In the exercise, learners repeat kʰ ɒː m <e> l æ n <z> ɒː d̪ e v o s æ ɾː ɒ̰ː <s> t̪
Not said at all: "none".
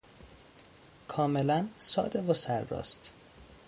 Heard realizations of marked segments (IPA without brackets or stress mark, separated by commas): e, s, s